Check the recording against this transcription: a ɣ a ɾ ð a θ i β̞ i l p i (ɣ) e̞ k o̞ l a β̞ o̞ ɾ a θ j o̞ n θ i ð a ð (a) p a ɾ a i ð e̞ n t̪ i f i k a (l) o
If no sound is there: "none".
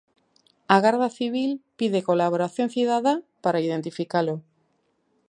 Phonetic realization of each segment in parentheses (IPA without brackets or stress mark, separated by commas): ð, a, l